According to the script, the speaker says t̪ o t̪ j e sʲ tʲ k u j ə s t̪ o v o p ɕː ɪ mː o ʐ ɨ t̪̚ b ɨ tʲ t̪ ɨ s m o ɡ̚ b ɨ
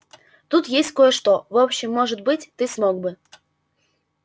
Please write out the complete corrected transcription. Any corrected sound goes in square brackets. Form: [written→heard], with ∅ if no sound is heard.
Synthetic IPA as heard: t̪ [o→u] t̪ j e sʲ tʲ k [u→o] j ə [s→ʂ] t̪ o v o p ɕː ɪ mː o ʐ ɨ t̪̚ b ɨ tʲ t̪ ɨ s m o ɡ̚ b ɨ